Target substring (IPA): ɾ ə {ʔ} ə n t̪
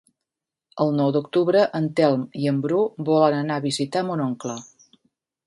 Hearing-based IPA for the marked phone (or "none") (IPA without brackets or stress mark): ʔ